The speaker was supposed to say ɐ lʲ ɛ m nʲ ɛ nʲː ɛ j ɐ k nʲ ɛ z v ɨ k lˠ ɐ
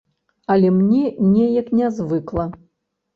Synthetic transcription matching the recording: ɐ lʲ ɛ m nʲ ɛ nʲ ɛ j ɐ k nʲ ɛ z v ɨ k lˠ ɐ

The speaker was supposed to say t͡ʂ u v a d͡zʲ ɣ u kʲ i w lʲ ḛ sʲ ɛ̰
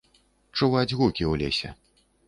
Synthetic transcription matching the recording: t͡ʂ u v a d͡zʲ ɣ u kʲ i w lʲ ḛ sʲ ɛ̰

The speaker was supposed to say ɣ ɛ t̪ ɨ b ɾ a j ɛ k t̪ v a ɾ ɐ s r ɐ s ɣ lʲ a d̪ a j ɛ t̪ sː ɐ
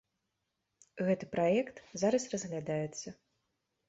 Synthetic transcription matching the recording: ɣ ɛ t̪ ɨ p ɾ a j ɛ k t̪ z a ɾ ɐ s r ɐ z ɣ lʲ a d̪ a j ɛ t̪ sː ɐ

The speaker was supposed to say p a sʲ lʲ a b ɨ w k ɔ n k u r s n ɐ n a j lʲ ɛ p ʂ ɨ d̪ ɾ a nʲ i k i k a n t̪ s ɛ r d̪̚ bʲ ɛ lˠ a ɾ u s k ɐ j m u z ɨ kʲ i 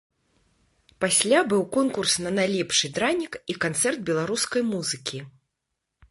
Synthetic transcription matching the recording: p a sʲ lʲ a b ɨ w k ɔ n k u r s n ɐ n a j lʲ ɛ p ʂ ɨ d̪ ɾ a nʲ i k i k a n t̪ s ɛ r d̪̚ bʲ ɛ lˠ a ɾ u s k ɐ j m u z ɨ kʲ i

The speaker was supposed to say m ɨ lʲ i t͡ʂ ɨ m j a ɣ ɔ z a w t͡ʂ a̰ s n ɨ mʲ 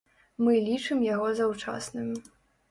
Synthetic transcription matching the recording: m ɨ lʲ i t͡ʂ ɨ m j a ɣ ɔ z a w t͡ʂ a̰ s n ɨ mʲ

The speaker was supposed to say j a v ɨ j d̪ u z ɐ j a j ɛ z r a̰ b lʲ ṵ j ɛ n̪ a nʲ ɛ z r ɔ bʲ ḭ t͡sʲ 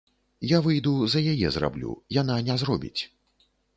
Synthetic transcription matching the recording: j a v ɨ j d̪ u z ɐ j a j ɛ z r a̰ b lʲ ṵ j a n̪ a nʲ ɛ z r ɔ bʲ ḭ t͡sʲ

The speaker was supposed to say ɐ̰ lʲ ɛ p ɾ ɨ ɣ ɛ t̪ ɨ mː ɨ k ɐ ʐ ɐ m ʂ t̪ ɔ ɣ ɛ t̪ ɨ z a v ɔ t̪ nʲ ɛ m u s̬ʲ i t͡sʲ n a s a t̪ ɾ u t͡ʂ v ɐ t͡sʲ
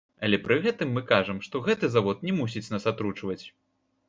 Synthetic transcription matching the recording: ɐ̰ lʲ ɛ p ɾ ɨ ɣ ɛ t̪ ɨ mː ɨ k a ʐ ɐ m ʂ t̪ ɔ ɣ ɛ t̪ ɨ z a v ɔ t̪ nʲ ɛ m u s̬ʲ i t͡sʲ n a s a t̪ ɾ u t͡ʂ v ɐ t͡sʲ

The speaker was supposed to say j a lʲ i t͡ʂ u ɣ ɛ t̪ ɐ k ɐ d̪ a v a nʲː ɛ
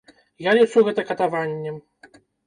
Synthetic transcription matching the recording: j a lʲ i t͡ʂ u ɣ ɛ t̪ ɐ k ɐ t̪ a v a nʲː ɛ

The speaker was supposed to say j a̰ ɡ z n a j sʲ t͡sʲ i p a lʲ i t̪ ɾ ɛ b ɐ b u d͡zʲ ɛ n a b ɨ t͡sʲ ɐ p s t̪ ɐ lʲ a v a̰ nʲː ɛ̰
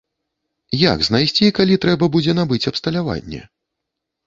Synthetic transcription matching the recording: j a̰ ɡ z n a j sʲ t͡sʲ i k a lʲ i t̪ ɾ ɛ b ɐ b u d͡zʲ ɛ n a b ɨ t͡sʲ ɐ p s t̪ ɐ lʲ a v a̰ nʲː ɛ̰

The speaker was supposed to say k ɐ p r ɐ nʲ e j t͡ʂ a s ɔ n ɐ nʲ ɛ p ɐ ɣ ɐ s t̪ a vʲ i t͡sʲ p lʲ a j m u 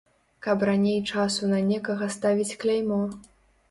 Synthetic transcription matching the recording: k ɐ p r a nʲ e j t͡ʂ a s u n ɐ nʲ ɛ k ɐ ɣ ɐ s t̪ a vʲ i t͡sʲ k lʲ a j m ɔ

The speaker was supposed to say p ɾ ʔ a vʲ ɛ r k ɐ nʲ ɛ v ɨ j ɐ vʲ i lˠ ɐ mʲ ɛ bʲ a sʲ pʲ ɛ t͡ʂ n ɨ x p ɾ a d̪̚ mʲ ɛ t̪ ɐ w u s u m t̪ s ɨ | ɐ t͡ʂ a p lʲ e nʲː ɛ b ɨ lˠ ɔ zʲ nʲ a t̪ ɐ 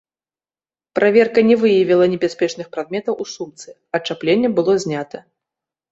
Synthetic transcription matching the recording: p ɾ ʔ a vʲ ɛ r k ɐ nʲ ɛ v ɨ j ɐ vʲ i lˠ ɐ nʲ ɛ bʲ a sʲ pʲ ɛ t͡ʂ n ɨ x p ɾ a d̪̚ mʲ ɛ t̪ ɐ w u s u m t̪ s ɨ | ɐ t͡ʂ a p lʲ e nʲː ɛ b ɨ lˠ ɔ zʲ nʲ a t̪ ɐ

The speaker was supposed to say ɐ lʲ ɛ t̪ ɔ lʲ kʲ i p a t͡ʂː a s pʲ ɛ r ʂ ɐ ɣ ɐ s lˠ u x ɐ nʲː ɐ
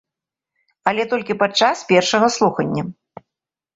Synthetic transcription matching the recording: ɐ lʲ ɛ t̪ ɔ lʲ kʲ i p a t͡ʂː a s pʲ ɛ r ʂ ɐ ɣ ɐ s lˠ u x ɐ nʲː ɐ

